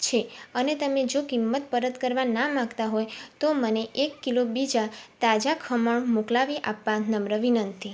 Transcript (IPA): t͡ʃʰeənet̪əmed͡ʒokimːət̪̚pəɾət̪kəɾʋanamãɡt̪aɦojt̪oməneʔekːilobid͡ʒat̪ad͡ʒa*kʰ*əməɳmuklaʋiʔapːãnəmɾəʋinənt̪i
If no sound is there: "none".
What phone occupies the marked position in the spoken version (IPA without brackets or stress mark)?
kʰ